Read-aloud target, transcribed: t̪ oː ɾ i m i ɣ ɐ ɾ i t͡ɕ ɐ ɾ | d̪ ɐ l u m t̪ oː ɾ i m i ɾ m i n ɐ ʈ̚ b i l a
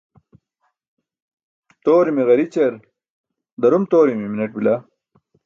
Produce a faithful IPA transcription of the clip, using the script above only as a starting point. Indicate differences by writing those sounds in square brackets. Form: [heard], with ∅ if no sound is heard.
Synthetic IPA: t̪ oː ɾ i m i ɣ ɐ ɾ i t͡ɕ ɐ ɾ | d̪ ɐ [ɾ] u m t̪ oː ɾ i m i [∅] m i n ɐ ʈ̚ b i l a